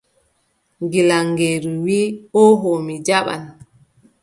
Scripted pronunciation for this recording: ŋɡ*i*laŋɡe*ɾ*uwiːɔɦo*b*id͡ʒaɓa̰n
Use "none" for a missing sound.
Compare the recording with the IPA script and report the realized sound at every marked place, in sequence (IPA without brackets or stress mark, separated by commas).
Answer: i, ɾ, m